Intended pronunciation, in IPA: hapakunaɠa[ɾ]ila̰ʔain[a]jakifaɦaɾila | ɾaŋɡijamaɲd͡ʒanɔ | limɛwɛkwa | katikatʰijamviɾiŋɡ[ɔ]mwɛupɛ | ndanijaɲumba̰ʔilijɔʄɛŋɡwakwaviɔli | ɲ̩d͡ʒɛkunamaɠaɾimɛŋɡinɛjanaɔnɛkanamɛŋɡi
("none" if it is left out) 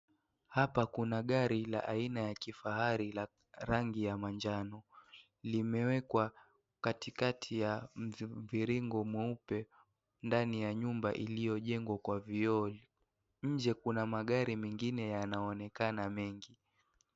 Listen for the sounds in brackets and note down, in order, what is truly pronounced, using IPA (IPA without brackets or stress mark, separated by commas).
ɾ, a, ɔ